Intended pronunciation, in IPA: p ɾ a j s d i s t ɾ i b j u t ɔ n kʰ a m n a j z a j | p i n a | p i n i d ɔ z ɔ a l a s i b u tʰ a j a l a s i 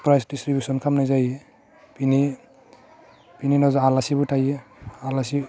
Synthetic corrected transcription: p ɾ a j s d i s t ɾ i b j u s ɔ n kʰ a m n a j z a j | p i n i | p i n i n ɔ z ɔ a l a s i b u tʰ a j a l a s i